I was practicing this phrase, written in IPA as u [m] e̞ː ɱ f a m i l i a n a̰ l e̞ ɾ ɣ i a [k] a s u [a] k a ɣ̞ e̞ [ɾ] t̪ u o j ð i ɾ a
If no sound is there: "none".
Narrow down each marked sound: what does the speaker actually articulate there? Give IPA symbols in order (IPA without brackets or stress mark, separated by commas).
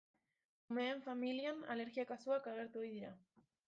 m, k, a, ɾ